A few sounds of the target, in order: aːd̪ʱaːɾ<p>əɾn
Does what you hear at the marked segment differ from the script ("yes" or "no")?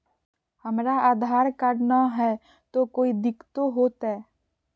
yes